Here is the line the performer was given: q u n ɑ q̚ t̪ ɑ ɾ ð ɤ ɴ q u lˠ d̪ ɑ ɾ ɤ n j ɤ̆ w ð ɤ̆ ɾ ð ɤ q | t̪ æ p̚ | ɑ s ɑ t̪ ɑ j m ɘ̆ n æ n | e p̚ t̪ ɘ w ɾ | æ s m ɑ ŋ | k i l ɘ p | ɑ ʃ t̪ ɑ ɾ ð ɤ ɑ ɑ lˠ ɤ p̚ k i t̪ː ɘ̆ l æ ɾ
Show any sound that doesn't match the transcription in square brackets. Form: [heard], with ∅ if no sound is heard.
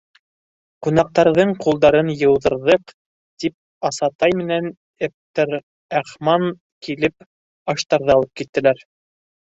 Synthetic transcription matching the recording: q u n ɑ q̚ t̪ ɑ ɾ ð ɤ ɴ q u lˠ d̪ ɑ ɾ ɤ n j ɤ̆ w ð ɤ̆ ɾ ð ɤ q | t̪ [i] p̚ | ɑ s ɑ t̪ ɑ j m ɘ̆ n æ n | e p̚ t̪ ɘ [∅] ɾ | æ [χ] m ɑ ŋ | k i l ɘ p | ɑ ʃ t̪ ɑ ɾ ð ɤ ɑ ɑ lˠ ɤ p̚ k i t̪ː ɘ̆ l æ ɾ